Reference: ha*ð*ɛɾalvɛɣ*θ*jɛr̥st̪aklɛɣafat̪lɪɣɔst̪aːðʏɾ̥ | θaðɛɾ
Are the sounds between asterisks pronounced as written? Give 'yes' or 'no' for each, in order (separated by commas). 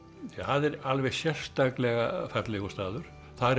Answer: yes, no